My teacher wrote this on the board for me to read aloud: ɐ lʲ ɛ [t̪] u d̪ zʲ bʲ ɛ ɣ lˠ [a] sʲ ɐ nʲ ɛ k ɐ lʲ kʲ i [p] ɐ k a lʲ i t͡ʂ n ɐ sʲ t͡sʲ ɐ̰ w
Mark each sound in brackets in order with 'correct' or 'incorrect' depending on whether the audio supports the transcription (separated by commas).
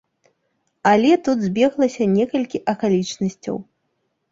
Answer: correct, incorrect, incorrect